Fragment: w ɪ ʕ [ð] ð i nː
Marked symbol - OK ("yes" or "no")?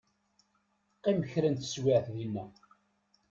no